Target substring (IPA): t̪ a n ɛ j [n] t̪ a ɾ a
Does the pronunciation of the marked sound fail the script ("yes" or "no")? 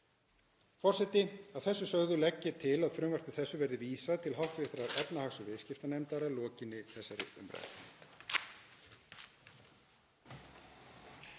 yes